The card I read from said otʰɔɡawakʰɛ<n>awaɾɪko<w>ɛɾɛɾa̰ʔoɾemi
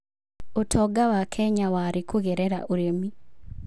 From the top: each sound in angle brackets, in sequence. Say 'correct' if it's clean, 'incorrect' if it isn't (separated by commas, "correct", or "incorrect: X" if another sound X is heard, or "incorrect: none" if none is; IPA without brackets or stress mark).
incorrect: ɲ, incorrect: ɣ